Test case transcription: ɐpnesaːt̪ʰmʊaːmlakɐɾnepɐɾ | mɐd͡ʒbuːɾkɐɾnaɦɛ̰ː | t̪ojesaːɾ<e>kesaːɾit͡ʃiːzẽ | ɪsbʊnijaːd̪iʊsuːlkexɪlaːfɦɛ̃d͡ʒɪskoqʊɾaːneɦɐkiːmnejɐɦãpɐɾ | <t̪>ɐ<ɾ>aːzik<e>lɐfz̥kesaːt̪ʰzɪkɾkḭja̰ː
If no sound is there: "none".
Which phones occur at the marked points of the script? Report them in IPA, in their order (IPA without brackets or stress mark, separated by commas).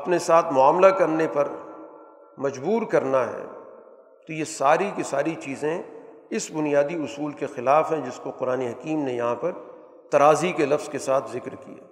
i, t̪, ɾ, e